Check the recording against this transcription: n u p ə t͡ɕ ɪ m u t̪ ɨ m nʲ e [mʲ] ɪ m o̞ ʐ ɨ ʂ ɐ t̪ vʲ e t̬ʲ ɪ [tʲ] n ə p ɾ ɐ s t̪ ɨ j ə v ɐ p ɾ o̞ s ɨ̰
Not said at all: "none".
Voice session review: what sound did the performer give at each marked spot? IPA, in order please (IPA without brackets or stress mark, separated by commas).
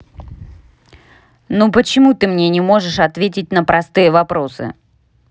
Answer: nʲ, tʲ